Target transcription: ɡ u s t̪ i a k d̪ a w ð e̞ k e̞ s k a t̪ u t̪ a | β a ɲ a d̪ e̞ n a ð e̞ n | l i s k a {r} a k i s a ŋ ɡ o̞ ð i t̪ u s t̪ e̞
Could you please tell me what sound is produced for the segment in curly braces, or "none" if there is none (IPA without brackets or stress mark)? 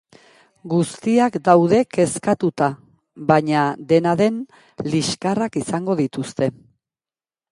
r